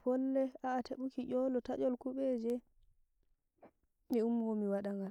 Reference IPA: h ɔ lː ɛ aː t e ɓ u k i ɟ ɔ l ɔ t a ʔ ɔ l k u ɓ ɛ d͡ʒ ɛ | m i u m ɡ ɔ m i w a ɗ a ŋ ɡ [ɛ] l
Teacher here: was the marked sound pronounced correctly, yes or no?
no